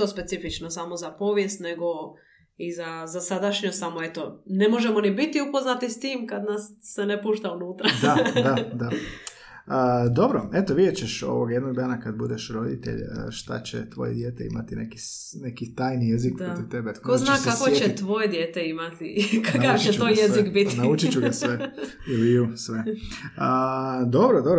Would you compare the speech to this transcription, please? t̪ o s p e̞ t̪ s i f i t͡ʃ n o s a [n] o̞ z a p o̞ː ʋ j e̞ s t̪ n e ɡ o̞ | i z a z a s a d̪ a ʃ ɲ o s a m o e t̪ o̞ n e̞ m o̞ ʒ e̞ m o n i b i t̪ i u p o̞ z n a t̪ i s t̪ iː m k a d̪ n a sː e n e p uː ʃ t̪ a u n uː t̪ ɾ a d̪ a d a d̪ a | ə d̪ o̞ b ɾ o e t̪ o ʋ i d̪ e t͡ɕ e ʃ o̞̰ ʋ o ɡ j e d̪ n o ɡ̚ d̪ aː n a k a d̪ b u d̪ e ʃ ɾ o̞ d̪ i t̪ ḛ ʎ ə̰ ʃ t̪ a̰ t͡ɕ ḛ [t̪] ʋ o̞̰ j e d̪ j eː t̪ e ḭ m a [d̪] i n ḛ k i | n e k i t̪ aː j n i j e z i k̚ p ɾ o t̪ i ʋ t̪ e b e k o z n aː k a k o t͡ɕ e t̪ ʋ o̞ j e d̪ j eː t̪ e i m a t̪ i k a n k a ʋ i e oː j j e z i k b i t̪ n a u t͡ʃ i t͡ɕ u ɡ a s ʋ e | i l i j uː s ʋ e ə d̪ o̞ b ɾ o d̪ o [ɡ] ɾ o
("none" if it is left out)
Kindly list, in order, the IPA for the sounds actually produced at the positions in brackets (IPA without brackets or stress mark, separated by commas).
m, t̪, t̪, b